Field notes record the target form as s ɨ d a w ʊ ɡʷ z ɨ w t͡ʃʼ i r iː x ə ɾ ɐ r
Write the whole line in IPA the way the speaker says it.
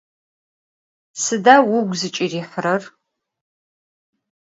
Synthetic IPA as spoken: s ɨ d a w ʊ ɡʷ z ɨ t͡ʃʼ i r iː ħ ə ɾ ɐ r